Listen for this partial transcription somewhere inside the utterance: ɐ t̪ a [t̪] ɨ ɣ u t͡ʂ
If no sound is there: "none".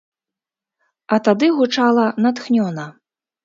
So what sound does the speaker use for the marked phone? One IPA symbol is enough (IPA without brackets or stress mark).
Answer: d̪